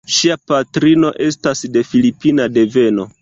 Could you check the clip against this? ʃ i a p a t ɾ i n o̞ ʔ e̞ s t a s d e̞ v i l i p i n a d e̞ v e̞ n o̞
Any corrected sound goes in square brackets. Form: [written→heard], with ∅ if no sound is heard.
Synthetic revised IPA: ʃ i a p a t ɾ i n o̞ ʔ e̞ s t a s d e̞ [v→f] i l i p i n a d e̞ v e̞ n o̞